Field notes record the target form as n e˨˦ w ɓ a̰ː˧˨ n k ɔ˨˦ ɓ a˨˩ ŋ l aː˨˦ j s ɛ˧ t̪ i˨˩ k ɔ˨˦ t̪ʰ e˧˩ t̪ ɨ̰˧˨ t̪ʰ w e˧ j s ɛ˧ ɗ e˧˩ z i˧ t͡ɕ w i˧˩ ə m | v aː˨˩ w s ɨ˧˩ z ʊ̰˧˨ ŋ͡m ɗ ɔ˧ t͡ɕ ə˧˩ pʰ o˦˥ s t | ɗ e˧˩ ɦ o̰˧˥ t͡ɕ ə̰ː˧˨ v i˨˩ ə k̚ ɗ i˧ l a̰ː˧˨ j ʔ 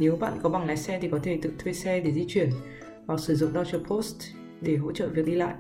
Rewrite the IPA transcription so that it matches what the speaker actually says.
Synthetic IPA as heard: n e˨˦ w ɓ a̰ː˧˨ n k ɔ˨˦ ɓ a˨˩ ŋ l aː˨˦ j s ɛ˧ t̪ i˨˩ k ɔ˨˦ t̪ʰ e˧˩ t̪ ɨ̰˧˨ t̪ʰ w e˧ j s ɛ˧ ɗ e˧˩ z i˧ t͡ɕ w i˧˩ ə n | v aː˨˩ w s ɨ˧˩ z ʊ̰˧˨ ŋ͡m ɗ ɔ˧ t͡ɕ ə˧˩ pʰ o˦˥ s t | ɗ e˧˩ ɦ o̰˧˥ t͡ɕ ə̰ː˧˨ v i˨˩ ə k̚ ɗ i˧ l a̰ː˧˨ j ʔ